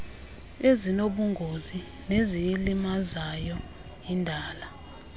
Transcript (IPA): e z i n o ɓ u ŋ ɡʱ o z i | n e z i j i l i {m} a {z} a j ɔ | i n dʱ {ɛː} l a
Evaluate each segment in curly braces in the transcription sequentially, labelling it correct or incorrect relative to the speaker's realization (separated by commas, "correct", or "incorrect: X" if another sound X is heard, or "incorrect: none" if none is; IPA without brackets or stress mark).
correct, correct, incorrect: aː